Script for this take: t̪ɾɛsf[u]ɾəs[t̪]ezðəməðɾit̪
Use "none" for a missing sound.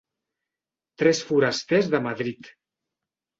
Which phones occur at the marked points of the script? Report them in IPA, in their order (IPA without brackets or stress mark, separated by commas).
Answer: u, t̪